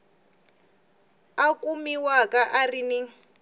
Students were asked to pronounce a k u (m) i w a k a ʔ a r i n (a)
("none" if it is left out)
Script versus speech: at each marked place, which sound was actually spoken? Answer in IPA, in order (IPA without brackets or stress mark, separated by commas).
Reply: m, i